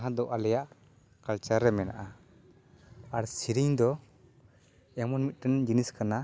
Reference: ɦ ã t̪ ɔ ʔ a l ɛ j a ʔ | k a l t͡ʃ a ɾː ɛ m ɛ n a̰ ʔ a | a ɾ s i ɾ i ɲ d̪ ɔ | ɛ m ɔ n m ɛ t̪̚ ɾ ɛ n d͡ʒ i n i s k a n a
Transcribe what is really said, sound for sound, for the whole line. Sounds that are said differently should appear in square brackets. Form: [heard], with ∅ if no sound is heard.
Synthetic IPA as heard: ɦ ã [d̪] ɔ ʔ a l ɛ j a ʔ | k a l t͡ʃ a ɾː ɛ m ɛ n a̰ ʔ a | a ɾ s i ɾ i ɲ d̪ ɔ | ɛ m ɔ n m [i] t̪̚ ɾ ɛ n d͡ʒ i n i s k a n a